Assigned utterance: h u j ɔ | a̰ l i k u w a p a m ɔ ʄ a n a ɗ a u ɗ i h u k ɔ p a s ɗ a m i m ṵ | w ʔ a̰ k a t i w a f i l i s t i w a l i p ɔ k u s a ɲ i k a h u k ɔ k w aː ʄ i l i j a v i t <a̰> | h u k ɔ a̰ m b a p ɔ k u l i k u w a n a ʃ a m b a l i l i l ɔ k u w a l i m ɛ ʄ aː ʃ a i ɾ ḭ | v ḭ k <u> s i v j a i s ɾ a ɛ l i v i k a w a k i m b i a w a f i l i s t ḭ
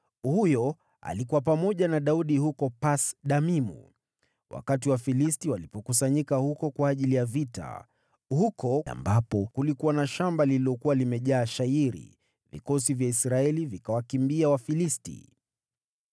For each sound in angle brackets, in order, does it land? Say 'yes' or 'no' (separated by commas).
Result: yes, no